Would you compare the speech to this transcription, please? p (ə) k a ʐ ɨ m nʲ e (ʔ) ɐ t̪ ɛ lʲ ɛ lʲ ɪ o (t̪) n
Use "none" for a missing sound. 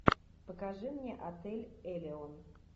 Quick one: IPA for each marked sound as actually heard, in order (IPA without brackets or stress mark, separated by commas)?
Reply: ə, ʔ, none